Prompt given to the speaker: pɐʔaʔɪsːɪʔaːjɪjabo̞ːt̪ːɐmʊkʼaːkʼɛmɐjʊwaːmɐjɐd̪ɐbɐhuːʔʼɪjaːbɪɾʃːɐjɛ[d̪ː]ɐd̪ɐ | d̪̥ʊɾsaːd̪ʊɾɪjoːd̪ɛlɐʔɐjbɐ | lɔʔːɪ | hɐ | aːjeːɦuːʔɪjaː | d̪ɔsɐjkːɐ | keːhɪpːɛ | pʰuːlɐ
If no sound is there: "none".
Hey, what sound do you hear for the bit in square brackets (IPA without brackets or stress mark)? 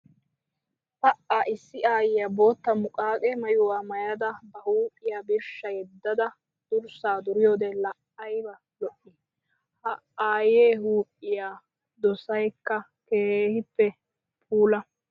d̪ː